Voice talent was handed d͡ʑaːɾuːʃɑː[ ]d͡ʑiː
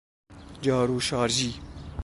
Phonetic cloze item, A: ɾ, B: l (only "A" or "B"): A